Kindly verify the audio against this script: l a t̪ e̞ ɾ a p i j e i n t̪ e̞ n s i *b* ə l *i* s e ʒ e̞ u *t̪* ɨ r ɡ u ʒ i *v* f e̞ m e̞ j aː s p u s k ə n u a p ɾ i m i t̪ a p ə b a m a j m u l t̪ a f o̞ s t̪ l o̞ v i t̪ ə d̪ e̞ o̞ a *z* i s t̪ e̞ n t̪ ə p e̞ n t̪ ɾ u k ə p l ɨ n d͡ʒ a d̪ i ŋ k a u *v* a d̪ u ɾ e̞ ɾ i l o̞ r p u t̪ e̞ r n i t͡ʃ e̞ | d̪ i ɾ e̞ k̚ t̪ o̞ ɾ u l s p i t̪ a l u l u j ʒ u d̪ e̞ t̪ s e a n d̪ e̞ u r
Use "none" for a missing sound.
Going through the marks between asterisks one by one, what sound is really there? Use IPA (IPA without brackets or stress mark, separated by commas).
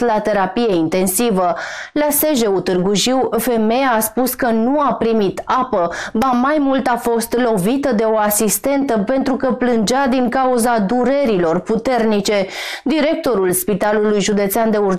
v, a, t̪, w, s, z